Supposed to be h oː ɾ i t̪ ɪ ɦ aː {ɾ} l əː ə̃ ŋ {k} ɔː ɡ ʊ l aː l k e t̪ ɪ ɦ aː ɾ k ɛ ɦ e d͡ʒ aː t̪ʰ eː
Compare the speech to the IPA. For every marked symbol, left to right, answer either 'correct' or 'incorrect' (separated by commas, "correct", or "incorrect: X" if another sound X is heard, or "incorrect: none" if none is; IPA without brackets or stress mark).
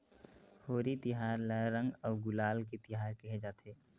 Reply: correct, incorrect: ɡ